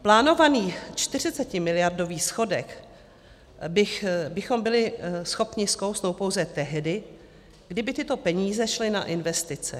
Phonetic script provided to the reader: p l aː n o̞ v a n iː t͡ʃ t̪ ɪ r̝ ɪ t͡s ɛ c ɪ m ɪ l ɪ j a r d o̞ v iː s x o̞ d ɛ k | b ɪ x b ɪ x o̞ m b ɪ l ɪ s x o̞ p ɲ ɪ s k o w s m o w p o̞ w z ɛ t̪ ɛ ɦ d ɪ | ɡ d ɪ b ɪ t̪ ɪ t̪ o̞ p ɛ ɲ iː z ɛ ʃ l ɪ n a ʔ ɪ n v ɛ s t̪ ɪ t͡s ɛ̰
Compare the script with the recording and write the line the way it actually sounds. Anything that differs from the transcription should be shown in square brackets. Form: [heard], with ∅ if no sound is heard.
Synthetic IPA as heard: p l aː n o̞ v a n iː t͡ʃ t̪ ɪ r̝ ɪ t͡s ɛ c ɪ m ɪ l ɪ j a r d o̞ v iː s x o̞ d ɛ k | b ɪ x b ɪ x o̞ m b ɪ l ɪ s x o̞ p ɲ ɪ s k o w s [n] o w p o̞ w z ɛ t̪ ɛ ɦ d ɪ | ɡ d ɪ b ɪ t̪ ɪ t̪ o̞ p ɛ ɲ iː z ɛ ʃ l ɪ n a ʔ ɪ n v ɛ s t̪ ɪ t͡s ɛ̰